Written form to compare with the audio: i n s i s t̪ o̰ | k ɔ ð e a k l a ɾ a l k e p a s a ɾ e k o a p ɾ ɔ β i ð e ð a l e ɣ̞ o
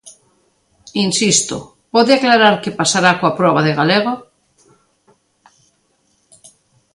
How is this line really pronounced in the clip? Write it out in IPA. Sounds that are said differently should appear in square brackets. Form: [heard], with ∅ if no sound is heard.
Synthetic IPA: i n s i s t̪ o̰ | [p] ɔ ð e a k l a ɾ a [ɾ] k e p a s a ɾ [a] k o a p ɾ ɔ β [a] ð e [ɣ] a l e ɣ̞ o